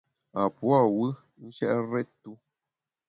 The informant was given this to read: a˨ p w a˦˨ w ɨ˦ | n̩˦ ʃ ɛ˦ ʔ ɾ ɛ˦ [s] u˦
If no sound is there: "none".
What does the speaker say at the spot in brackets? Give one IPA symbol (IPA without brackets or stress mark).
t